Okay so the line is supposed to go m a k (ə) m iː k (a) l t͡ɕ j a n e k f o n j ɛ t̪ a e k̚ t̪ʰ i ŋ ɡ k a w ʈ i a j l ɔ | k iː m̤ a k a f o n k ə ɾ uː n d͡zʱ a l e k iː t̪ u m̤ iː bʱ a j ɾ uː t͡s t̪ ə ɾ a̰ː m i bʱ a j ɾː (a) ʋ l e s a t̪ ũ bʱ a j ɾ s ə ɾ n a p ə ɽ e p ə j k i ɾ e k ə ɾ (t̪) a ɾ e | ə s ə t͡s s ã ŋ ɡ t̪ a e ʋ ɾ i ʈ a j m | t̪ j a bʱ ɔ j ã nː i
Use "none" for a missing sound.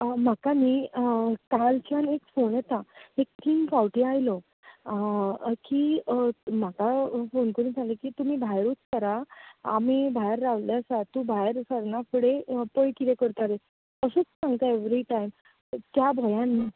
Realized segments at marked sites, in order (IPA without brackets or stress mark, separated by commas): a, a, a, t̪